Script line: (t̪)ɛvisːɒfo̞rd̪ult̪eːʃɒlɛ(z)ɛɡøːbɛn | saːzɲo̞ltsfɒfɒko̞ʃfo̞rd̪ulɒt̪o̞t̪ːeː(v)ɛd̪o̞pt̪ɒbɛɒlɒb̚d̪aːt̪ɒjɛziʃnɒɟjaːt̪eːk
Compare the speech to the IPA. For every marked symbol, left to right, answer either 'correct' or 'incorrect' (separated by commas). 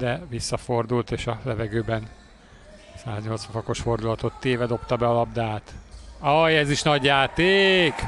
incorrect, incorrect, correct